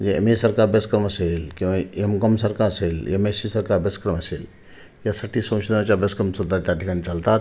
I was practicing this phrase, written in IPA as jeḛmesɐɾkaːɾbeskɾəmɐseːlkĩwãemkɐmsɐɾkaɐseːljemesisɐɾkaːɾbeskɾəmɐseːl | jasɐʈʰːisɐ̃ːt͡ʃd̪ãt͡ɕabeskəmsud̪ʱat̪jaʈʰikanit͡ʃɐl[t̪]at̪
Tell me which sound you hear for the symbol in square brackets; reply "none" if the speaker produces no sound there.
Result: t̪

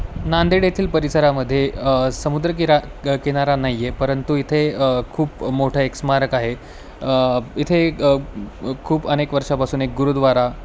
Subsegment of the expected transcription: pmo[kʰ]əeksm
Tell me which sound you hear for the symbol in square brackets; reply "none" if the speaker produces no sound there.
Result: ʈʰ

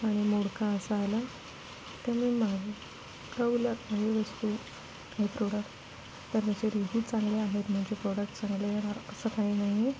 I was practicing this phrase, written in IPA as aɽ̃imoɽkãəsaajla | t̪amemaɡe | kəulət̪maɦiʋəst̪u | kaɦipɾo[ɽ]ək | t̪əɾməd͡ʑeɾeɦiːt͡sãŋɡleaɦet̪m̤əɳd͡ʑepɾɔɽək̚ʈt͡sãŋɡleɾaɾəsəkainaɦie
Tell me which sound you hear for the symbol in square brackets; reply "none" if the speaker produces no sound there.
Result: ɽ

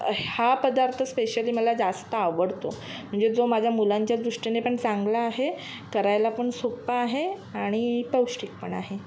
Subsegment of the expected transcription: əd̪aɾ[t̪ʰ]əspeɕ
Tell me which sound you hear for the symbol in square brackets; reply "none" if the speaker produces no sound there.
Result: t̪ʰ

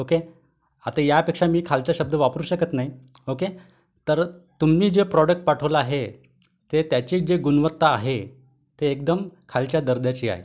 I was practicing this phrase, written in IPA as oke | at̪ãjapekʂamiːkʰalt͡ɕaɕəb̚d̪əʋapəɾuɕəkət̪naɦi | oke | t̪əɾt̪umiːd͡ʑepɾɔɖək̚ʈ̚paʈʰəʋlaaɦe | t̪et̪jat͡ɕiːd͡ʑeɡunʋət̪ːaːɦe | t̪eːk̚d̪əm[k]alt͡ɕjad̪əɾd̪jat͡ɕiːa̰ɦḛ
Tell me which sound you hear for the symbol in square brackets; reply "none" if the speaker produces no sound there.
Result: kʰ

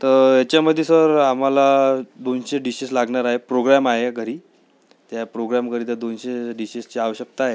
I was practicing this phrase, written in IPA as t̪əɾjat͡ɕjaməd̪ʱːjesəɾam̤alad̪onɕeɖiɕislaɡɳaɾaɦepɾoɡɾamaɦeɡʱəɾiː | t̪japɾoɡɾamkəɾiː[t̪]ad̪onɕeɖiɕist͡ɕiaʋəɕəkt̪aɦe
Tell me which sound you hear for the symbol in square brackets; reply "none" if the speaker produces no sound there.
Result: t̪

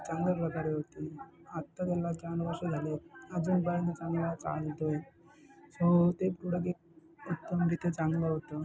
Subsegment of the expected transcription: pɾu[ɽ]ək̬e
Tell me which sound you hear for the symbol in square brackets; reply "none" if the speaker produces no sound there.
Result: ɽ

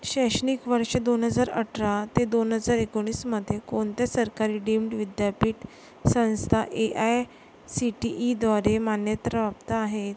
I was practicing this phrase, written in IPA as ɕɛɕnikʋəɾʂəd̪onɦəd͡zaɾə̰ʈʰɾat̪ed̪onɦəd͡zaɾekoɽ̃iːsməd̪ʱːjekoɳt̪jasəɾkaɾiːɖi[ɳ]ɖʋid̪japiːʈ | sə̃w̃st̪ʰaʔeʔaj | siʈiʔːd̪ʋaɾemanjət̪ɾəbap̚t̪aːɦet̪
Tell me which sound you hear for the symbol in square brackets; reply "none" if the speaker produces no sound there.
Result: m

